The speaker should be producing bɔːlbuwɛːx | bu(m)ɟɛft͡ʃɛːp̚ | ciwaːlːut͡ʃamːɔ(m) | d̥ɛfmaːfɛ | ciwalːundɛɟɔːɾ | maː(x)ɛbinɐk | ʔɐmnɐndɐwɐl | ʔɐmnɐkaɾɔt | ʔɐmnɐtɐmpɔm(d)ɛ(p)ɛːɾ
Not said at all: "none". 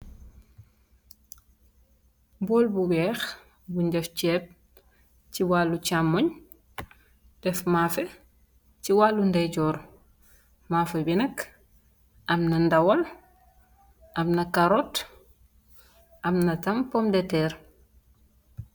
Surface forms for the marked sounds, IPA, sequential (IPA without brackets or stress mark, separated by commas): ɲ, ɲ, f, d, t